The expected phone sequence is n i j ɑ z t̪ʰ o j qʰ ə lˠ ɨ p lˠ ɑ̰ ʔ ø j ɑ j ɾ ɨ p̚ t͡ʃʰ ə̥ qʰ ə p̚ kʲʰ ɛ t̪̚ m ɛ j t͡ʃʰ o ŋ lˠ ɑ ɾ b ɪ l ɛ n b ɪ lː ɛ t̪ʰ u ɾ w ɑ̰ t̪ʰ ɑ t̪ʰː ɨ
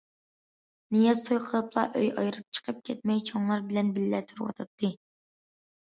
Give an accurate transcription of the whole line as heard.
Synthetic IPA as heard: n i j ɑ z t̪ʰ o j qʰ ə lˠ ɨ p lˠ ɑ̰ ʔ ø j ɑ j ɾ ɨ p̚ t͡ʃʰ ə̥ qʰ ə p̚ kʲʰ ɛ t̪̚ m ɛ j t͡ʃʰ o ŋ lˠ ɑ ɾ b ɪ l ɛ n b ɪ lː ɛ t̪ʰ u ɾ w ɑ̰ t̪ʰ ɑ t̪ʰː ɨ

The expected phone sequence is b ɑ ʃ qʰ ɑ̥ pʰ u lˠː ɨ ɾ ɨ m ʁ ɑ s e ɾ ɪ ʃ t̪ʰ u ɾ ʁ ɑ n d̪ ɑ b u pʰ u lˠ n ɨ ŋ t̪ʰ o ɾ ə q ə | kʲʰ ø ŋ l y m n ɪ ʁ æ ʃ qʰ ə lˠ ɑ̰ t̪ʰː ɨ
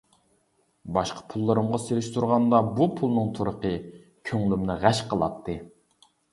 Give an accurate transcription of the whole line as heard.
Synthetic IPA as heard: b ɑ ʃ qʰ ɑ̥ pʰ u lˠː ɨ ɾ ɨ m ʁ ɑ s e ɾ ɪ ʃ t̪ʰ u ɾ ʁ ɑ n d̪ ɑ b u pʰ u lˠ n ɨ ŋ t̪ʰ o ɾ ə q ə | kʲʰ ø ŋ l y m n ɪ ʁ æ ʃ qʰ ə lˠ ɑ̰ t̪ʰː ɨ

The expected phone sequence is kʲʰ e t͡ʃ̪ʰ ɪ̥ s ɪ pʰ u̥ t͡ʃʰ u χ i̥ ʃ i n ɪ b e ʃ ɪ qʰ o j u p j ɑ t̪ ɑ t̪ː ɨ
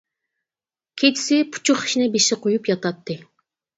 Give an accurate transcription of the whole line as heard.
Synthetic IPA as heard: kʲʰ e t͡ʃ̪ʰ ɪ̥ s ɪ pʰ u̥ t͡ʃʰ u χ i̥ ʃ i n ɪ b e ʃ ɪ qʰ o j u p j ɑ t̪ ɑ t̪ː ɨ

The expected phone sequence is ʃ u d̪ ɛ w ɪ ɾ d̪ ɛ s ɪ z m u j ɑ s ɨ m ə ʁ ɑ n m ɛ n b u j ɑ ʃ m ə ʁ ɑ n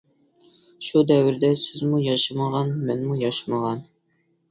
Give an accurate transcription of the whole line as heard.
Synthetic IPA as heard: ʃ u d̪ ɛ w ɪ ɾ d̪ ɛ s ɪ z m u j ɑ ʃ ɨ m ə ʁ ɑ n m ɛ n m u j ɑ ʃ m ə ʁ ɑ n

